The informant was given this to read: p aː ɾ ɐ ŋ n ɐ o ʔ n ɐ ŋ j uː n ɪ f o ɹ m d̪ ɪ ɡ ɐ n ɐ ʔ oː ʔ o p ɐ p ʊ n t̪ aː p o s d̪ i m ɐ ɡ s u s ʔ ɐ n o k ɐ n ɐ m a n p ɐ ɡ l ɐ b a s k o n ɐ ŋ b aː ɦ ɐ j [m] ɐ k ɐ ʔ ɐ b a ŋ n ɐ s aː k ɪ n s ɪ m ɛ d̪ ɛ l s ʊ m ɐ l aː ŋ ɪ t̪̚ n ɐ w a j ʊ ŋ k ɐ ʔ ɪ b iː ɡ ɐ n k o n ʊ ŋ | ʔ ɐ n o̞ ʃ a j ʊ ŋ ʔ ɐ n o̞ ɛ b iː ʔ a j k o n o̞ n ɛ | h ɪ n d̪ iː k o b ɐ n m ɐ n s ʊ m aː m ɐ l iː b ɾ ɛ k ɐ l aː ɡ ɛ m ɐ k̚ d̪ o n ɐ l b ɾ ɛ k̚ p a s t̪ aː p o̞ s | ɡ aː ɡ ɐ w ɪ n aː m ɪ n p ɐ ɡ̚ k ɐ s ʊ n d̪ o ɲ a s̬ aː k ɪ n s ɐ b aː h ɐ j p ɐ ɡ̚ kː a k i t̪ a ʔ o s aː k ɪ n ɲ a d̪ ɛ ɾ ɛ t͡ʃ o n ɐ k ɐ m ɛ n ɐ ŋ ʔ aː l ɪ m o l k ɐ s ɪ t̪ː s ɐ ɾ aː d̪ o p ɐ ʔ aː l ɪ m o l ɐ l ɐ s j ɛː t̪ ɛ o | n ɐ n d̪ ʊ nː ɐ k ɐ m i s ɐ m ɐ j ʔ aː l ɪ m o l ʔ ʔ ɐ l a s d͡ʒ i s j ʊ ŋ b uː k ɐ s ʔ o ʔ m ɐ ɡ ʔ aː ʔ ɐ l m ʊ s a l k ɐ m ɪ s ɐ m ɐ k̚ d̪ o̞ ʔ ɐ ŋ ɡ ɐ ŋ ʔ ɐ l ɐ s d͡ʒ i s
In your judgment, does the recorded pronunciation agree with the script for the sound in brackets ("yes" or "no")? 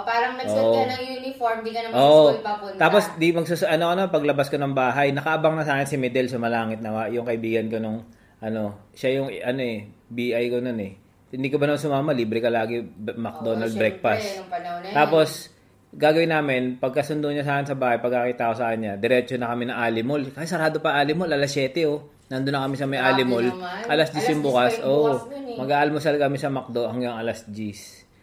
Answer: no